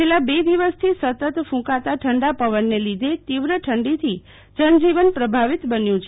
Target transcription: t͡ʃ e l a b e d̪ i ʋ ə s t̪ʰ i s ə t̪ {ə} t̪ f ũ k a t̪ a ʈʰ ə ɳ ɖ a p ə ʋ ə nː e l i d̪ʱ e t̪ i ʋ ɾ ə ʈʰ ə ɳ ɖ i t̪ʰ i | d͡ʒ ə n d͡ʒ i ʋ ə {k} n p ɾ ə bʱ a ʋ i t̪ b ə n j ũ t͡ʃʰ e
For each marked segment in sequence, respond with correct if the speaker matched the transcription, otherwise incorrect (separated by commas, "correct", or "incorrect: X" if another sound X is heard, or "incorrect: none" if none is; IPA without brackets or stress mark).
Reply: correct, incorrect: none